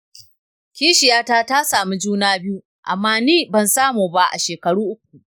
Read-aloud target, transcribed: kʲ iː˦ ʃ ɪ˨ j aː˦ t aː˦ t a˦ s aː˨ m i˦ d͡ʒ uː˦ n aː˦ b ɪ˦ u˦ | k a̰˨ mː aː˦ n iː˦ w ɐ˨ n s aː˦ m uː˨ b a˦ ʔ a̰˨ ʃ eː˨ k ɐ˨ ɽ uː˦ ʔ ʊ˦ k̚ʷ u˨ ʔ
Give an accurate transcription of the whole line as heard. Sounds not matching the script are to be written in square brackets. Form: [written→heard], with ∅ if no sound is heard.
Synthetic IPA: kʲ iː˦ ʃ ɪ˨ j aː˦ t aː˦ t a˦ s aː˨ m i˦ d͡ʒ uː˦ n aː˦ b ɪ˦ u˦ | [k→ʔ] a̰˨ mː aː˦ n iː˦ [w→b] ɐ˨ n s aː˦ m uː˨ b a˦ ʔ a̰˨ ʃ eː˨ k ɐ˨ ɽ uː˦ ʔ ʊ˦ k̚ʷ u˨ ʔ